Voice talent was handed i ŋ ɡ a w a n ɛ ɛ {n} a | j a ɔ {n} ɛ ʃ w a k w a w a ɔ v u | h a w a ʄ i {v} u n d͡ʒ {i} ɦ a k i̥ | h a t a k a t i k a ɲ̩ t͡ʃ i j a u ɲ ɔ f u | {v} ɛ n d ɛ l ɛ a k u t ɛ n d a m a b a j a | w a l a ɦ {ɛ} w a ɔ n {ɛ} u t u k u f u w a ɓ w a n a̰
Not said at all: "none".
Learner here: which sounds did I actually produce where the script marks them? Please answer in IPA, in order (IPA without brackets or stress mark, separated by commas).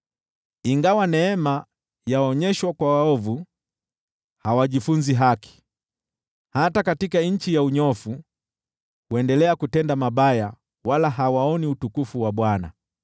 m, ɲ, f, i, w, a, i